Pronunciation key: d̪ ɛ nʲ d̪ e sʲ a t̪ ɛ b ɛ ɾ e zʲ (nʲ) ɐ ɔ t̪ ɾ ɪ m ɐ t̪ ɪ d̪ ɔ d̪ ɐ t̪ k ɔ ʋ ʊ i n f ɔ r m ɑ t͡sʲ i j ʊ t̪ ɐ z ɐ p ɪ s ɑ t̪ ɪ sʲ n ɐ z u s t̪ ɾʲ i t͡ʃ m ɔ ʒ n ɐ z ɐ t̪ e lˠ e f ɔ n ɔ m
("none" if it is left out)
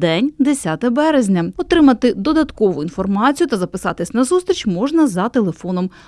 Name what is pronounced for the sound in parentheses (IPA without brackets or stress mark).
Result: nʲ